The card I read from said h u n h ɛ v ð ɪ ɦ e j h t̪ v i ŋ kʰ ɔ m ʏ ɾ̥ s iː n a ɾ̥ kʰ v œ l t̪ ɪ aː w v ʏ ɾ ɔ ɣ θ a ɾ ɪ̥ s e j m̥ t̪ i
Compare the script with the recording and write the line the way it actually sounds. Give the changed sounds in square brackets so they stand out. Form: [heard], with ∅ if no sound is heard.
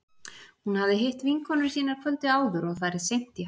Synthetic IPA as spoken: h u n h [a] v ð ɪ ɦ e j h t̪ v i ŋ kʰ ɔ [n] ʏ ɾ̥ s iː n a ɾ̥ kʰ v œ l t̪ ɪ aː w [ð] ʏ ɾ ɔ ɣ θ a ɾ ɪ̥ s e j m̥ t̪ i